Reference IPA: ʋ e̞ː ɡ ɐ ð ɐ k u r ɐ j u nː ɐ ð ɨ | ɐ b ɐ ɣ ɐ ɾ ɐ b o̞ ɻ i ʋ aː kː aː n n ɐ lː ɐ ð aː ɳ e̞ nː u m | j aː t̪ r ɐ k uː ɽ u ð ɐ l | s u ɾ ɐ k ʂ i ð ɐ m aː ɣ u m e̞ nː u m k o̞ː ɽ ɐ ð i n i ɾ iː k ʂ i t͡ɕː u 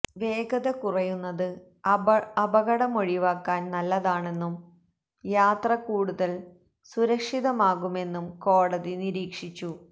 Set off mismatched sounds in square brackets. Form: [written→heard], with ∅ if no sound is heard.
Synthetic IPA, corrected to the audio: ʋ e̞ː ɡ ɐ ð ɐ k u r ɐ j u nː ɐ ð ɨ | ɐ b ɐ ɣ ɐ [ɾ→ɽ] ɐ [b→m] o̞ ɻ i ʋ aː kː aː n n ɐ lː ɐ ð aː ɳ e̞ nː u m | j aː t̪ r ɐ k uː ɽ u ð ɐ l | s u ɾ ɐ k ʂ i ð ɐ m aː ɣ u m e̞ nː u m k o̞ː ɽ ɐ ð i n i ɾ iː k ʂ i t͡ɕː u

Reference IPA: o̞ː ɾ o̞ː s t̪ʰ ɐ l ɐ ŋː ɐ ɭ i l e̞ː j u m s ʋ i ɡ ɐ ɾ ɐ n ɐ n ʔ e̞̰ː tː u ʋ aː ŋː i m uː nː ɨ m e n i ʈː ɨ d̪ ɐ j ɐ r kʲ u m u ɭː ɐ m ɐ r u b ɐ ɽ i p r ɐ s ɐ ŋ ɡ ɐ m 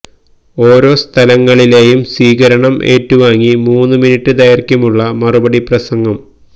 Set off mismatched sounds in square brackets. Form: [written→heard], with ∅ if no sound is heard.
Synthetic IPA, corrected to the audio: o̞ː ɾ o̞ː s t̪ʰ ɐ l ɐ ŋː ɐ ɭ i l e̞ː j u m s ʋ [i→iː] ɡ ɐ ɾ ɐ [n→ɳ] ɐ [n→m] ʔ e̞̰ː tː u ʋ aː ŋː i m uː nː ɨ m [e→i] n i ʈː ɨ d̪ ɐ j ɐ r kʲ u m u ɭː ɐ m ɐ r u b ɐ ɽ i p r ɐ s ɐ ŋ ɡ ɐ m

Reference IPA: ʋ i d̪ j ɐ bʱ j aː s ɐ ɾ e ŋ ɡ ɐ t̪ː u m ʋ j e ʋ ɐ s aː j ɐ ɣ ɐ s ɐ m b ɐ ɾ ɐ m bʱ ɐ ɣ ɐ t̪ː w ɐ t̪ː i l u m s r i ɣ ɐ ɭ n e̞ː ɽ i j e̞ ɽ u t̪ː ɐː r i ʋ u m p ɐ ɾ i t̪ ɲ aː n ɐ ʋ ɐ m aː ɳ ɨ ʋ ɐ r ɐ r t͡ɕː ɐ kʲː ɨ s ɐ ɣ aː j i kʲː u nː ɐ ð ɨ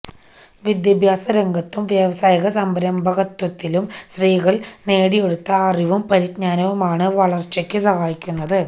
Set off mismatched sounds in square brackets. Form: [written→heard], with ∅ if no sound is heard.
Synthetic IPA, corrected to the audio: ʋ i d̪ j ɐ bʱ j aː s ɐ ɾ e ŋ ɡ ɐ t̪ː u m ʋ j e ʋ ɐ s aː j ɐ ɣ ɐ s ɐ m b ɐ ɾ ɐ m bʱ ɐ ɣ ɐ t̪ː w ɐ t̪ː i l u m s r [i→iː] ɣ ɐ ɭ n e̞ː ɽ i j e̞ ɽ u t̪ː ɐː r i ʋ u m p ɐ ɾ i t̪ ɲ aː n ɐ ʋ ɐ m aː ɳ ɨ ʋ ɐ [r→ɭ] ɐ r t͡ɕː ɐ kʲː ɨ s ɐ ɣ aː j i kʲː u nː ɐ ð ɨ

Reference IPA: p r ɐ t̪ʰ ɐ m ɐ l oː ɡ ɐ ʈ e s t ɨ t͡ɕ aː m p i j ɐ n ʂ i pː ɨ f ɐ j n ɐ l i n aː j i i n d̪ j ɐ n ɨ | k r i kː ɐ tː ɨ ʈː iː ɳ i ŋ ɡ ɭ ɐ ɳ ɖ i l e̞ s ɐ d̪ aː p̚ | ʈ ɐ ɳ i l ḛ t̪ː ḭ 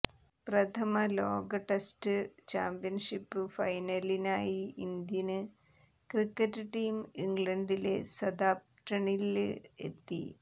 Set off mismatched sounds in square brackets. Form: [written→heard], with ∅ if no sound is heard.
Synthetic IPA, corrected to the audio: p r ɐ t̪ʰ ɐ m ɐ l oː ɡ ɐ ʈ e s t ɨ t͡ɕ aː m p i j ɐ n ʂ i pː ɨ f ɐ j n ɐ l i n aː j i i n d̪ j ɐ n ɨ | k r i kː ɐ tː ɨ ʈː iː [ɳ→m] i ŋ ɡ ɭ ɐ ɳ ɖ i l e̞ s ɐ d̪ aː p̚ | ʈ ɐ ɳ i l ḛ t̪ː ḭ

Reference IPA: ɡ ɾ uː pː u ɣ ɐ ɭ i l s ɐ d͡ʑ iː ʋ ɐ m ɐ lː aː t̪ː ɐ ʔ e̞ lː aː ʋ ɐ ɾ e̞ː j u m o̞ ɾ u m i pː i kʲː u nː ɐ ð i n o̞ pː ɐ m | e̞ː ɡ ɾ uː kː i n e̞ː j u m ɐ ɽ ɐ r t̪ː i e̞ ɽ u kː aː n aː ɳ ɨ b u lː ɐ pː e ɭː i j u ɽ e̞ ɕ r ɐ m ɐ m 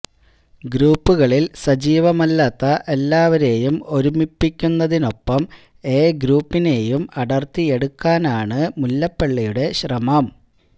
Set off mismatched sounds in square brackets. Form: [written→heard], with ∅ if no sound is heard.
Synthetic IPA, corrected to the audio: ɡ ɾ uː pː u ɣ ɐ ɭ i l s ɐ d͡ʑ iː ʋ ɐ m ɐ lː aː t̪ː ɐ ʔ e̞ lː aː ʋ ɐ ɾ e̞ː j u m o̞ ɾ u m i pː i kʲː u nː ɐ ð i n o̞ pː ɐ m | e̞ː ɡ ɾ uː [kː→pː] i n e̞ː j u m ɐ ɽ ɐ r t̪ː i e̞ ɽ u kː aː n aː ɳ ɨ [b→m] u lː ɐ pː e ɭː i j u ɽ e̞ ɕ r ɐ m ɐ m

